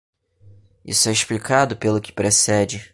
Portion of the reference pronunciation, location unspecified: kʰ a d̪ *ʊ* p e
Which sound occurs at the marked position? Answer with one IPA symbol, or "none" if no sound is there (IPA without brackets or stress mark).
ʊ